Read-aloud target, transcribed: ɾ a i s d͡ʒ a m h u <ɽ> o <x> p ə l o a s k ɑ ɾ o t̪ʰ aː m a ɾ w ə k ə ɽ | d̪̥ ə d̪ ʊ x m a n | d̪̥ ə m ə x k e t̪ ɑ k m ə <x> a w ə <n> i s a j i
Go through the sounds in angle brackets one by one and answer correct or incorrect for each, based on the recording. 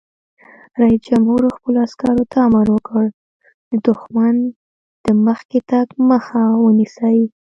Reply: incorrect: ɾ, correct, correct, correct

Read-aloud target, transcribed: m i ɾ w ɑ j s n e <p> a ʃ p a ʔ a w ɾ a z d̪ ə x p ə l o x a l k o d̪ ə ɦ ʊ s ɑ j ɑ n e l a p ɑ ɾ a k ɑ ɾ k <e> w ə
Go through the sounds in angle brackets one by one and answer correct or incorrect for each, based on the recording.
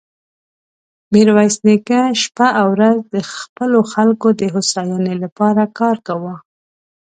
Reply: incorrect: k, incorrect: a

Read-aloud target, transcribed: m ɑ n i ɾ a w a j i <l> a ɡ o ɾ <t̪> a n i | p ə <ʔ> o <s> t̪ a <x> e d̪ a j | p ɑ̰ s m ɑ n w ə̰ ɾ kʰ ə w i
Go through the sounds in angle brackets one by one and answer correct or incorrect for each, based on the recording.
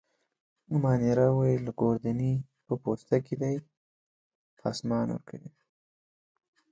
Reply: correct, incorrect: d̪, incorrect: p, correct, incorrect: k

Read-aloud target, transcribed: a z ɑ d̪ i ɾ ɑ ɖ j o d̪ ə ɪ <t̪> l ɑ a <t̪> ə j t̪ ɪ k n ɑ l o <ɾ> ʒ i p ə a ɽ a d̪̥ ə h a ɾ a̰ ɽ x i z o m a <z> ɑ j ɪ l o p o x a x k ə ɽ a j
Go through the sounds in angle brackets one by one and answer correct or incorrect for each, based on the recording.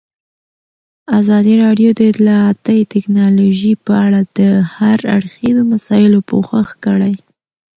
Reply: correct, correct, incorrect: none, incorrect: s

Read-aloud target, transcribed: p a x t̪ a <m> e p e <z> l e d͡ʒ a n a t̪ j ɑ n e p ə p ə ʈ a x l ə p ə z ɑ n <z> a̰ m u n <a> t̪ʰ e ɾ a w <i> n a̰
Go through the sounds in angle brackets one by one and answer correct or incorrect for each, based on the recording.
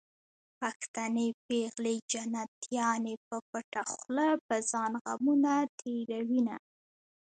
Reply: incorrect: n, incorrect: ɣ, incorrect: ɣ, correct, correct

